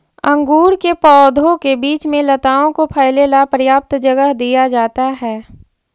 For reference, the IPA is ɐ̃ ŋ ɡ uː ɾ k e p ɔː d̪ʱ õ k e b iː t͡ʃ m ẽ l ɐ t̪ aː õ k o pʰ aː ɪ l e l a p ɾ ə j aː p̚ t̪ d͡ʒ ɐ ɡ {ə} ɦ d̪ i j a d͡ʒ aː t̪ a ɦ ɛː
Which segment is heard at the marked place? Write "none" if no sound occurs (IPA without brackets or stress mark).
ə